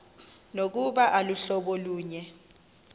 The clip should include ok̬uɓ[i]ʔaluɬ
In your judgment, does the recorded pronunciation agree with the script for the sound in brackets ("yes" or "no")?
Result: no